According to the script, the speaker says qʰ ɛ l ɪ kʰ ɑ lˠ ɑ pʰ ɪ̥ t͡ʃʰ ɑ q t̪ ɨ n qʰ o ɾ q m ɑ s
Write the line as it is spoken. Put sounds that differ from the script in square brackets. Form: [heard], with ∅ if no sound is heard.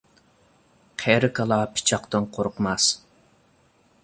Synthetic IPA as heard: qʰ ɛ [ɾ] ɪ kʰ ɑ lˠ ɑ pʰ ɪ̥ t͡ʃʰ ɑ q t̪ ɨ n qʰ o ɾ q m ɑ s

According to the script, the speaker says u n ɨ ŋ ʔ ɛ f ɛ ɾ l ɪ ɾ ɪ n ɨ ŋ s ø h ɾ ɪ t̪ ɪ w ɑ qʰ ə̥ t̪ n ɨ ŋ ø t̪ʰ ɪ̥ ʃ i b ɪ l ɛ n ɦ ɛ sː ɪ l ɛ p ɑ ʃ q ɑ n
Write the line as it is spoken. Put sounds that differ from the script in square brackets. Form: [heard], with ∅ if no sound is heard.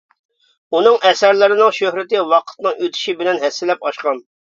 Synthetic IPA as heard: u n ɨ ŋ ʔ ɛ [s] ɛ ɾ l ɪ ɾ ɪ n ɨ ŋ [ʃ] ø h ɾ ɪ t̪ ɪ w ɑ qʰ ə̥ t̪ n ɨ ŋ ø t̪ʰ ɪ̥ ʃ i b ɪ l ɛ n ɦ ɛ sː ɪ l ɛ p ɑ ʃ q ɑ n

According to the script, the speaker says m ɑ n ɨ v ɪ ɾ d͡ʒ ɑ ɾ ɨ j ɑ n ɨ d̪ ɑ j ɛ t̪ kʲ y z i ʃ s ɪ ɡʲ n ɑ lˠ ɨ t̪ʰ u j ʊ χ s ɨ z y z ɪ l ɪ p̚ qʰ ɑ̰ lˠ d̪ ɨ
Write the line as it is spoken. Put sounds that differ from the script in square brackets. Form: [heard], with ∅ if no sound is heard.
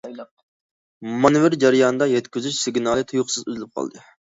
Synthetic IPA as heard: m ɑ n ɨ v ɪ ɾ d͡ʒ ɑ ɾ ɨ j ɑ n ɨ d̪ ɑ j ɛ t̪ kʲ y z [y] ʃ s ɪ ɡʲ n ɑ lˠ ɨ t̪ʰ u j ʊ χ s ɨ z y z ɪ l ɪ p̚ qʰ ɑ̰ lˠ d̪ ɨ

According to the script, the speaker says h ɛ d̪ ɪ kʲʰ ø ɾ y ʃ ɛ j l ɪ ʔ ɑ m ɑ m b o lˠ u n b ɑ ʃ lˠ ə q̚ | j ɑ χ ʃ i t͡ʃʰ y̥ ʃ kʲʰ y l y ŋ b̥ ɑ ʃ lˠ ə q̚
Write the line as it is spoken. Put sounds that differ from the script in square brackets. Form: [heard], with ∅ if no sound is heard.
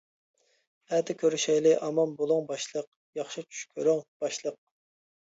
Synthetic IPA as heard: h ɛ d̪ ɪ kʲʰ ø ɾ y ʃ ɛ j l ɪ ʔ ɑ m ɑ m b o lˠ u [ŋ] b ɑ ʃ lˠ ə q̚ | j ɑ χ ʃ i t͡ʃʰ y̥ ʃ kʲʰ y [ɾ] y ŋ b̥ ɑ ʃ lˠ ə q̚

